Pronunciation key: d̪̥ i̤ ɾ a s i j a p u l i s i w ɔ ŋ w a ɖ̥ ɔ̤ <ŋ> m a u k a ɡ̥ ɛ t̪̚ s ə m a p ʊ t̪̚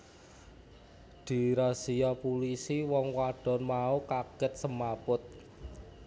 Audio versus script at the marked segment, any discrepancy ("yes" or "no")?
yes